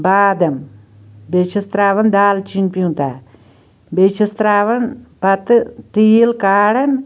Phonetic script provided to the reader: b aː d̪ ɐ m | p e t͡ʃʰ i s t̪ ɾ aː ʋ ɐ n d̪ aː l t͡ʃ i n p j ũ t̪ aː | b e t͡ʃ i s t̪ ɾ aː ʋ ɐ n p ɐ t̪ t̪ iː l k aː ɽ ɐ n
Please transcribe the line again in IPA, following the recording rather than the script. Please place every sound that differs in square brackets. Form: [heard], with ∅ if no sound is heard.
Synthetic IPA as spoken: b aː d̪ ɐ m | [b] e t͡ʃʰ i s t̪ ɾ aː ʋ ɐ n d̪ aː l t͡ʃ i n p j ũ t̪ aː | b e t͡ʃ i s t̪ ɾ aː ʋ ɐ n p ɐ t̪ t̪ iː l k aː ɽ ɐ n